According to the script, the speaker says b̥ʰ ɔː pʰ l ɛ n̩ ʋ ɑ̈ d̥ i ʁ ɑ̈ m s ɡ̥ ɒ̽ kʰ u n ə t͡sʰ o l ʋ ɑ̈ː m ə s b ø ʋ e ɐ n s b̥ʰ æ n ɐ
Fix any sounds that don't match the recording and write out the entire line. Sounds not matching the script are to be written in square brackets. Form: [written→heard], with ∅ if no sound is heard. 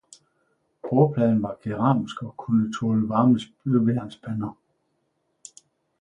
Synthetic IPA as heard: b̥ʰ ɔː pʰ l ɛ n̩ ʋ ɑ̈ [d̥→ɡ̥] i ʁ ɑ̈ m s ɡ̥ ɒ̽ kʰ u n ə t͡sʰ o l ʋ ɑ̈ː m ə s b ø ʋ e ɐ n s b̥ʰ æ n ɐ